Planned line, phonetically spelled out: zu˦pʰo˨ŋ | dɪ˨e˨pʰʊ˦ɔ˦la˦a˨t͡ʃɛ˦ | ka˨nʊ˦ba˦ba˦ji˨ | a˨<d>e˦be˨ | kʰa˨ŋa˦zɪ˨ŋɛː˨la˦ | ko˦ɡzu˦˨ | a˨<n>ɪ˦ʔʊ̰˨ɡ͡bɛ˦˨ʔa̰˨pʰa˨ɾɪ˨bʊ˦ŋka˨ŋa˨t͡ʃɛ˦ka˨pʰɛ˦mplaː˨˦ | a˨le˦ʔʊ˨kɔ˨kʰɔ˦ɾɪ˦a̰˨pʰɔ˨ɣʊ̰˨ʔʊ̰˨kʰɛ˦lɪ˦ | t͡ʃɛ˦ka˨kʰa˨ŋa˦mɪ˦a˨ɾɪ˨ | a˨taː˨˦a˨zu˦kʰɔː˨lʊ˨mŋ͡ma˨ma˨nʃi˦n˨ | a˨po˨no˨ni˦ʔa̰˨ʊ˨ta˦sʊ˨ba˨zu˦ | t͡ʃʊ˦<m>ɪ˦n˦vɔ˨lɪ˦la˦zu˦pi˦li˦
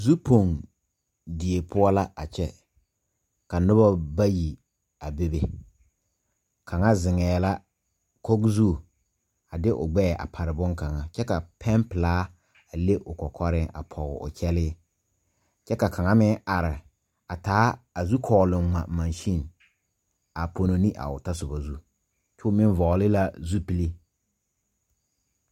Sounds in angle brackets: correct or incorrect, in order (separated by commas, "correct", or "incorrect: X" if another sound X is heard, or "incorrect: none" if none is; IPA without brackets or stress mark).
incorrect: b, incorrect: d, correct